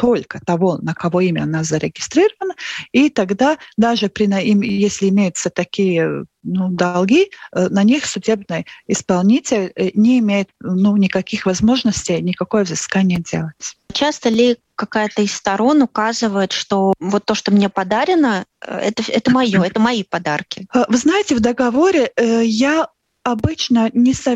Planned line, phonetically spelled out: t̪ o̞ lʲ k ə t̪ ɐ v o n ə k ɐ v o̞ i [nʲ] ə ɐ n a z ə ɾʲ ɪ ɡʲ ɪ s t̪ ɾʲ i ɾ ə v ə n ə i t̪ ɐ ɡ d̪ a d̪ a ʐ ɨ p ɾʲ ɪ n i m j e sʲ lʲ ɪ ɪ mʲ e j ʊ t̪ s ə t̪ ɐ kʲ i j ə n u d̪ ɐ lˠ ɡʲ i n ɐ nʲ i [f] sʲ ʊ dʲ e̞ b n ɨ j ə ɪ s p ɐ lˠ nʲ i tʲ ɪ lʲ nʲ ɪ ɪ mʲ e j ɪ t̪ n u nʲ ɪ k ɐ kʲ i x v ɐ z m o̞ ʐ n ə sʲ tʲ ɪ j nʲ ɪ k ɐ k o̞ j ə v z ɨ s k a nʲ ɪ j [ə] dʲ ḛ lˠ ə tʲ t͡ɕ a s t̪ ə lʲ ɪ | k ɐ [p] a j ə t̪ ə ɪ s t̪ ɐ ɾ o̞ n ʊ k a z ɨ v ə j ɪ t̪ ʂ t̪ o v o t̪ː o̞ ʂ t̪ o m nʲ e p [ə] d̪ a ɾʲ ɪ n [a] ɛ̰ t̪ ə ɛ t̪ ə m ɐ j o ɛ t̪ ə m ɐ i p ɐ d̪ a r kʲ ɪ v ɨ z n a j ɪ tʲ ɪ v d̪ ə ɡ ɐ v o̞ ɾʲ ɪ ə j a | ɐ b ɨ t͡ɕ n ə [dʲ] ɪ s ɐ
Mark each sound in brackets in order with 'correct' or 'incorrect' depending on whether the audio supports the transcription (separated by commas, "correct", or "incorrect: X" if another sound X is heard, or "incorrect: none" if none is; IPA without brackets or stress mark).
incorrect: mʲ, incorrect: x, correct, incorrect: k, incorrect: ɐ, incorrect: ə, incorrect: nʲ